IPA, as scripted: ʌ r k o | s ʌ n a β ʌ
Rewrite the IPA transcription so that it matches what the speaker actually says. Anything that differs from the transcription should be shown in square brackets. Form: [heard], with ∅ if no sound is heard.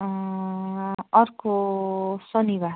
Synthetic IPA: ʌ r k o | s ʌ n [i] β [a]